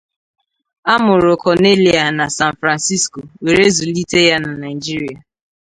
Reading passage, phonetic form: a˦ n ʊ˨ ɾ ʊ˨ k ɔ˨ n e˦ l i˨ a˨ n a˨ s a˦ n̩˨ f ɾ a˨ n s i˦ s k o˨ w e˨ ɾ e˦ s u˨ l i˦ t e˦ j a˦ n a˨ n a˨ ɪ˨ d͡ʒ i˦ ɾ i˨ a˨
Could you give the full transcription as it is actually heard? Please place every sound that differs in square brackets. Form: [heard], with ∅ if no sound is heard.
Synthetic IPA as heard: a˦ [m] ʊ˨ ɾ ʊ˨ k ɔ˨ n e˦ l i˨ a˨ n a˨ s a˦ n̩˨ f ɾ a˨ n s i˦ s k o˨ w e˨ ɾ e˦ [z] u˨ l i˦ t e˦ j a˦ n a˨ n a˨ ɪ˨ d͡ʒ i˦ ɾ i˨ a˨